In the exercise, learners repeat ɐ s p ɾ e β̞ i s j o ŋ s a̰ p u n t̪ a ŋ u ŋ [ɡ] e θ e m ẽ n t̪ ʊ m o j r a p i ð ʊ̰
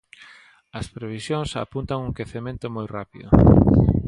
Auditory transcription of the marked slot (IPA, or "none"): k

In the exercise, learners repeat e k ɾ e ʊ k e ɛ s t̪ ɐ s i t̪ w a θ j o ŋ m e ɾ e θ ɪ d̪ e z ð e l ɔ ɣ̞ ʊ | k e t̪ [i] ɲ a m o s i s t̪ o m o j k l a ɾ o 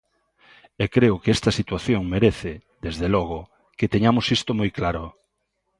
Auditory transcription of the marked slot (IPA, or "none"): e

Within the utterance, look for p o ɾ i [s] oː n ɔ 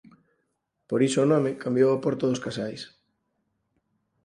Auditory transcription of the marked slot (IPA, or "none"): s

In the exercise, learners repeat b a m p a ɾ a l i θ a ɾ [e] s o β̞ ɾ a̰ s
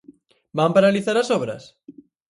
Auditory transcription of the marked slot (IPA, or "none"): a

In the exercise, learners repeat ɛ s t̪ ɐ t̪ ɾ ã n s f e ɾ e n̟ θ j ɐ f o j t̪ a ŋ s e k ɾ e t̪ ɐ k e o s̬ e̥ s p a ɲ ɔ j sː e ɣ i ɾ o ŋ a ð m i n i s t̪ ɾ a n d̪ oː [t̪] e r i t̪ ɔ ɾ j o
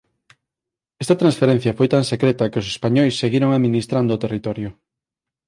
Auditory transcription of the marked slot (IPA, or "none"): t̪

